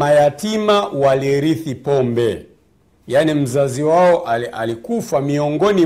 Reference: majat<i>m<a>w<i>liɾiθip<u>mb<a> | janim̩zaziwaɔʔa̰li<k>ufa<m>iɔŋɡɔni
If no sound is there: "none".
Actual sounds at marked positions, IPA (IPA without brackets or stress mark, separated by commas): i, a, a, ɔ, ɛ, k, m